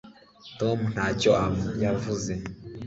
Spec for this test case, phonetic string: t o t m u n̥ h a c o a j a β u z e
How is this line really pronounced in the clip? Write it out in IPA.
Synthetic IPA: t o m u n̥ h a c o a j a v u z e